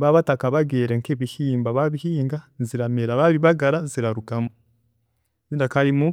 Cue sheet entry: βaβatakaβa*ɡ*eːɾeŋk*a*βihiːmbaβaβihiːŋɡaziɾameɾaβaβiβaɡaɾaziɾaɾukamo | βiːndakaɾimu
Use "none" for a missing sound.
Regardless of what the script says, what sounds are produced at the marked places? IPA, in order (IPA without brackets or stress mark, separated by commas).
ɡ, e